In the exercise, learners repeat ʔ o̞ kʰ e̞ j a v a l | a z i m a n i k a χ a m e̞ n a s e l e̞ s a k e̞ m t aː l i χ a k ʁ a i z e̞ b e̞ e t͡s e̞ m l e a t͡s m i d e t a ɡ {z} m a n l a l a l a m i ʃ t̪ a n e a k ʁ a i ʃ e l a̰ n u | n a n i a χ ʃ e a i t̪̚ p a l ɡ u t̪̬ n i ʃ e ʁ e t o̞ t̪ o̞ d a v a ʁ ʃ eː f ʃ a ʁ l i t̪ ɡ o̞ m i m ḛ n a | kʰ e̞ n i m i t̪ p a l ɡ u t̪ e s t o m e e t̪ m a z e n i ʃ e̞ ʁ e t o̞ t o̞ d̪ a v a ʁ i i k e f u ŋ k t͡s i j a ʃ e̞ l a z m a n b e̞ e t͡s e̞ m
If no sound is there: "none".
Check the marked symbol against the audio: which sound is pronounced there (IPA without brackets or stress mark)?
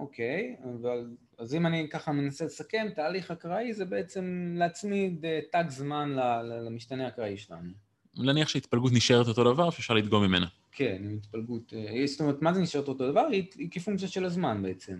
z